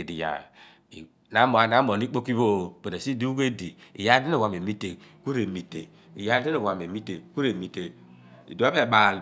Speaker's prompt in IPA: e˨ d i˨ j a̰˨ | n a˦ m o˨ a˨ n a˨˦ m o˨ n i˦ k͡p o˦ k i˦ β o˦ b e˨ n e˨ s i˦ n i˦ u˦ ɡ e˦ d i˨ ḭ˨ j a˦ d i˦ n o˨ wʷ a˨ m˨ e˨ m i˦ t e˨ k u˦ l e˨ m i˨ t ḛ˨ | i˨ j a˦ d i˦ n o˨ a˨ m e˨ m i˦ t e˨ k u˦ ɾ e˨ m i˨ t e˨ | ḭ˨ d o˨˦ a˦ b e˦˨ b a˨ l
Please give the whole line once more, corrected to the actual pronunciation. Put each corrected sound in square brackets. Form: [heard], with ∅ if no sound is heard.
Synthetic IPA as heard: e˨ d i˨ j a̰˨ | n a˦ m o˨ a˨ n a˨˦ m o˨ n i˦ k͡p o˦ k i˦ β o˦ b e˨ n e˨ s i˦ [d] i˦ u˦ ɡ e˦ d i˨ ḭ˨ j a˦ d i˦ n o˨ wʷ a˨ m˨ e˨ m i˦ t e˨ k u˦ [ɾ] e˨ m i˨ t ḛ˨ | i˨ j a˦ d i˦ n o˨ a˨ m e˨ m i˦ t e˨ k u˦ ɾ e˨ m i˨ t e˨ | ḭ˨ d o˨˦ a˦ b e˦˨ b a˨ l